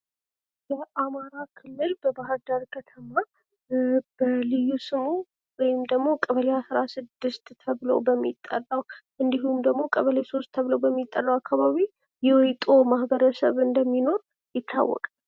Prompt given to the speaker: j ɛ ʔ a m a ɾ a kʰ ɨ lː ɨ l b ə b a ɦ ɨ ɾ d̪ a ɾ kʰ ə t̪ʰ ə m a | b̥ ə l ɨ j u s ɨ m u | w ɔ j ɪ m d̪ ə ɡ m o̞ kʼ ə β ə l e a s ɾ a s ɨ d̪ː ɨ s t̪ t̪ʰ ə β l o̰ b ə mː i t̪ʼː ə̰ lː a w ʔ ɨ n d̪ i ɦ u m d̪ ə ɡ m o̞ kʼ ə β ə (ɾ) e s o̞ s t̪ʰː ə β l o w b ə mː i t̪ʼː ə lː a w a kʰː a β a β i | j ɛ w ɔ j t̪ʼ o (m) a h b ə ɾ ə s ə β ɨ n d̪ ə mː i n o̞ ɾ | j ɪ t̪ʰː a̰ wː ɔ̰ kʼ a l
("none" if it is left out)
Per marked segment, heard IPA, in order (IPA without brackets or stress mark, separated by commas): l, m